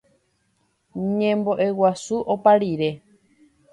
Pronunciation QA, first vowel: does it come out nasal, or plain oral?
nasal